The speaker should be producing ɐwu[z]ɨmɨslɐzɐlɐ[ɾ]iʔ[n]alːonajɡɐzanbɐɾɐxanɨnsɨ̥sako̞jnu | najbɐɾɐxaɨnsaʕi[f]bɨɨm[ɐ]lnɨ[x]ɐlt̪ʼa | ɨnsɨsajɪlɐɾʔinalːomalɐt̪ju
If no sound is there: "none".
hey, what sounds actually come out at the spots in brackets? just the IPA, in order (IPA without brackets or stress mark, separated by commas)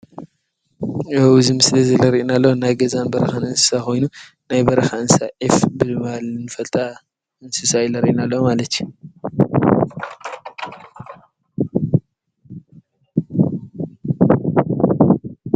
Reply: z, ɾ, n, f, a, f